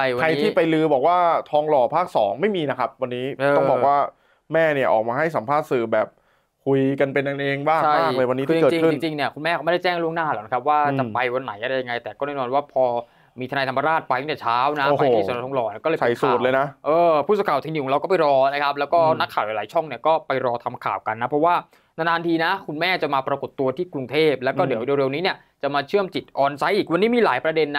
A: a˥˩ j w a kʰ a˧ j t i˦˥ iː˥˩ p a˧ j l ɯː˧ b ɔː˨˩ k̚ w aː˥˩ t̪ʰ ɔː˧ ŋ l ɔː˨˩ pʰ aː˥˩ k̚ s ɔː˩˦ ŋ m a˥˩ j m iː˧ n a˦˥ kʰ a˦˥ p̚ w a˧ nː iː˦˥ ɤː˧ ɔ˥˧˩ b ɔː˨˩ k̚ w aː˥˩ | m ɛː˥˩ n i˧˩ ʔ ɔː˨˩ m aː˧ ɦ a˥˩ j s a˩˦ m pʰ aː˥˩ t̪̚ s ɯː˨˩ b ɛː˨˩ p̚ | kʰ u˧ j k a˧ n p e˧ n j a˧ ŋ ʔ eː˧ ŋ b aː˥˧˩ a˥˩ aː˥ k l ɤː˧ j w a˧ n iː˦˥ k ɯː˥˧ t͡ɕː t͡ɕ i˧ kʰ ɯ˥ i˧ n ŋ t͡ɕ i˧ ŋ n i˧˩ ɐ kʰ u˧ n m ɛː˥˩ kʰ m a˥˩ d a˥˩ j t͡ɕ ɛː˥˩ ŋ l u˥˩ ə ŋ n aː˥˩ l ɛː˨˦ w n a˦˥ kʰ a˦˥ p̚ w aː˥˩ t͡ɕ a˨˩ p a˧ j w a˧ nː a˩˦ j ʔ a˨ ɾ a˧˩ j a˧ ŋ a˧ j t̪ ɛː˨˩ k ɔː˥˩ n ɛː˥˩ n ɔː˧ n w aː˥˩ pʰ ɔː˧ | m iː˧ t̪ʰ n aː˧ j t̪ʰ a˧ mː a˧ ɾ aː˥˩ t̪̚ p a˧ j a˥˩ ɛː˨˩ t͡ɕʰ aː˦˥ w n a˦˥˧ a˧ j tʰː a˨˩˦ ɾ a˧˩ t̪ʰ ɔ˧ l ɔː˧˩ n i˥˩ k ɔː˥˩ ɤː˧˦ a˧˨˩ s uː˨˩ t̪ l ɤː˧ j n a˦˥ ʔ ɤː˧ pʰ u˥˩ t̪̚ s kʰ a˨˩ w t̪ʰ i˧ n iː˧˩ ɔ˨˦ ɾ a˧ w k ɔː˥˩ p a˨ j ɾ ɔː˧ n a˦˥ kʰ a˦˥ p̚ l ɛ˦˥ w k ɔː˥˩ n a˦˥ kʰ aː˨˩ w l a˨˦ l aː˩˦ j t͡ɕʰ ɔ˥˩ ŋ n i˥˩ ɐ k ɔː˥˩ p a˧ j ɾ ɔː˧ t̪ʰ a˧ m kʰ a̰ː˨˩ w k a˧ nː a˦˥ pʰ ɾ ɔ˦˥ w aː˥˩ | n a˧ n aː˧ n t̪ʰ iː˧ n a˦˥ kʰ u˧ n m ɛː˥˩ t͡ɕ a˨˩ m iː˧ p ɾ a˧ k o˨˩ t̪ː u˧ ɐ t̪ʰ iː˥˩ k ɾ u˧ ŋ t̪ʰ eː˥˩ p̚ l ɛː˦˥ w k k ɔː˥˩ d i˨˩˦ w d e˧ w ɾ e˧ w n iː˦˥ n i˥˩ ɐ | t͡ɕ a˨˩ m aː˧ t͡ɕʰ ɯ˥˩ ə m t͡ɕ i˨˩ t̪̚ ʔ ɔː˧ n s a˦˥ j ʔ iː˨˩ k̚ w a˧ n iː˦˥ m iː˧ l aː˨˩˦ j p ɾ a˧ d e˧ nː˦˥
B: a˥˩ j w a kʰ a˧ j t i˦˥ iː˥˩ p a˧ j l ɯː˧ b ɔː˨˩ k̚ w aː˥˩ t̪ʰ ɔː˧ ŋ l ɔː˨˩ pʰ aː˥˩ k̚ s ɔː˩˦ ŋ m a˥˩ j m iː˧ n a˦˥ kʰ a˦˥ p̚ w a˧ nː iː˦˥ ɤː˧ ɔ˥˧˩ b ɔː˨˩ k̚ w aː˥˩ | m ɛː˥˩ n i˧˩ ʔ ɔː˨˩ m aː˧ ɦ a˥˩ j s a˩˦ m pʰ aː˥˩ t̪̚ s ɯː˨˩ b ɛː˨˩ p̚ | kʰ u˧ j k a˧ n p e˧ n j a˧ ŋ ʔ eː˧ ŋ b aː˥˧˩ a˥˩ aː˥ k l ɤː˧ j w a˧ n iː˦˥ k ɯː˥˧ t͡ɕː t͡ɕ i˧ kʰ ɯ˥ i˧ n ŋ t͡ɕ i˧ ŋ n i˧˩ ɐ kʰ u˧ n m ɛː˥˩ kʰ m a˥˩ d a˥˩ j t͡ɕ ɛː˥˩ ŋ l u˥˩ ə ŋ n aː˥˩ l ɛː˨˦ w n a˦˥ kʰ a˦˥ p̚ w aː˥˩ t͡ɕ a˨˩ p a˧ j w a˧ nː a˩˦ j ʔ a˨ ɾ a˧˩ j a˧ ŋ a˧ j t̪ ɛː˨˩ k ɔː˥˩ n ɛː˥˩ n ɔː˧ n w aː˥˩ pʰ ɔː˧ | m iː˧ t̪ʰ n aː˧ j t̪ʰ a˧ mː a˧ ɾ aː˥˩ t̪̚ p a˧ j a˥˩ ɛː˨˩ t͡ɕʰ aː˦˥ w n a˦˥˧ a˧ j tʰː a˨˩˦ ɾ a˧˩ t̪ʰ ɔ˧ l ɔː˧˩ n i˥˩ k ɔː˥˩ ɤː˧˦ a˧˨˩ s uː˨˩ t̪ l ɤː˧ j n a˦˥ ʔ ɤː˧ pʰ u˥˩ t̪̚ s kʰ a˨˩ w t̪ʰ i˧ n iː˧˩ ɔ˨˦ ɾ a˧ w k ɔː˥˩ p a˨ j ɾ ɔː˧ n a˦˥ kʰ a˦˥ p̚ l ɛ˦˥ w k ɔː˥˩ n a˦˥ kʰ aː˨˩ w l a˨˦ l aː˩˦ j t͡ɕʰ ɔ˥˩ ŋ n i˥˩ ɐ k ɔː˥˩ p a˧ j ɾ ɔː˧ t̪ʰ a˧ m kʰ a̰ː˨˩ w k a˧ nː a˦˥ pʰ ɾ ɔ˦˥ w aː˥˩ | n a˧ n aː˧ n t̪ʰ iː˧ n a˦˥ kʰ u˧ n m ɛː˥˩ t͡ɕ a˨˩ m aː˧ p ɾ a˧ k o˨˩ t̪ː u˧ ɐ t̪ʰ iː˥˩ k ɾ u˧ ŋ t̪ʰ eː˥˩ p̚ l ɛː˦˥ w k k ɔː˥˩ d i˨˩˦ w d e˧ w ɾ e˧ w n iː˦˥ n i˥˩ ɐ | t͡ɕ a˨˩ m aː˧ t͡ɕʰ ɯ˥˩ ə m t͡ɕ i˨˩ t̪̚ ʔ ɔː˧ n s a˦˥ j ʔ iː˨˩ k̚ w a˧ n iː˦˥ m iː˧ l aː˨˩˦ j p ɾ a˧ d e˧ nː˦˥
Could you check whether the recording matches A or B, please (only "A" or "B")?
B